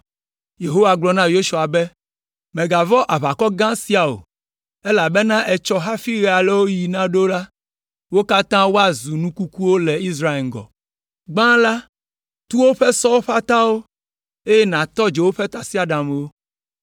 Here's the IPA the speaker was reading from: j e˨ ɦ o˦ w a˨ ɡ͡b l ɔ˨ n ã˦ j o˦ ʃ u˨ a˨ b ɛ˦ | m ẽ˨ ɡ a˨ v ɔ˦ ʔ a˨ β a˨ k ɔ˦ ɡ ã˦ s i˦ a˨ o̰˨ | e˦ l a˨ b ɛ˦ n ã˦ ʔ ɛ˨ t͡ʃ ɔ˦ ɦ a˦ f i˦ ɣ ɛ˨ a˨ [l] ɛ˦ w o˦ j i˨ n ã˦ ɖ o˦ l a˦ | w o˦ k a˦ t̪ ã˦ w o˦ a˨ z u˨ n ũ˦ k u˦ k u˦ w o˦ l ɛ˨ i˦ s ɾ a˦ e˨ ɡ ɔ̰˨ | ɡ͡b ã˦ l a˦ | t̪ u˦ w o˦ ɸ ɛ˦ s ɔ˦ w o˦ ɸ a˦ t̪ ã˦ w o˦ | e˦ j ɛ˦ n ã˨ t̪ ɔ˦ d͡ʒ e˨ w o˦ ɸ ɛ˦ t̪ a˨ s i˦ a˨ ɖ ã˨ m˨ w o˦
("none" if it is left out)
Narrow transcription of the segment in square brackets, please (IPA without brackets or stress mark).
l